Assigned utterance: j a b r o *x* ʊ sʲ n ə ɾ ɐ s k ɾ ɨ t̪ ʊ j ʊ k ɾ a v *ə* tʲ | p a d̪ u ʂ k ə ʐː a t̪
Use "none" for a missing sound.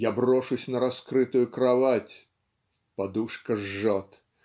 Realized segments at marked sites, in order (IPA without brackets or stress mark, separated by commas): ʂ, a